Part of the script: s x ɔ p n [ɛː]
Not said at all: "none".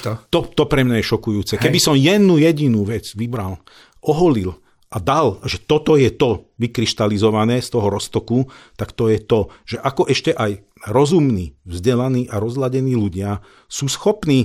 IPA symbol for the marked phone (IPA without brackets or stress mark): iː